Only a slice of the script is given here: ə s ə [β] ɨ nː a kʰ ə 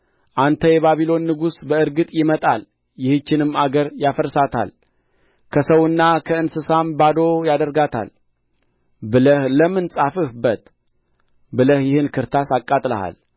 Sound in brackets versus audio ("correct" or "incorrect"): incorrect